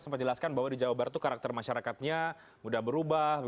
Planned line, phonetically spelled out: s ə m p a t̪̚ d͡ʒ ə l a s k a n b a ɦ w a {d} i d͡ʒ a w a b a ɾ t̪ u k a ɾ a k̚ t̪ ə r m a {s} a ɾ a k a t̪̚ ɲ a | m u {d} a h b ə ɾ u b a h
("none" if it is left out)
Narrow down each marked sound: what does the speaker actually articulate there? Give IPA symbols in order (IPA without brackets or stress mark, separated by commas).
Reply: d, ʃ, d